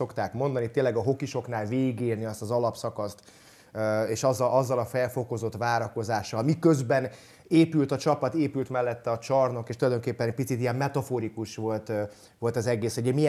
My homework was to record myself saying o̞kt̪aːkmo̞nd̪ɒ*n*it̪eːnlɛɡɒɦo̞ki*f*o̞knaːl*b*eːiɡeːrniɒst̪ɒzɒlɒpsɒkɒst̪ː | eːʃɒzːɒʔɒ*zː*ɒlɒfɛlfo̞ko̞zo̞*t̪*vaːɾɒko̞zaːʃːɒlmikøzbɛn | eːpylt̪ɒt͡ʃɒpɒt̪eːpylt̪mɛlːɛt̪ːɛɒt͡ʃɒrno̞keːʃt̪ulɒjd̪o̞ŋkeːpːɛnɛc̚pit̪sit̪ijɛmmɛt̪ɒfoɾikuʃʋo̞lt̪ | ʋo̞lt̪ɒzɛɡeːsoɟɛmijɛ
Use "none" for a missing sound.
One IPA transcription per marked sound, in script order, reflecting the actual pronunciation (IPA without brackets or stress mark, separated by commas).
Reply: n, ʃ, v, zː, t̪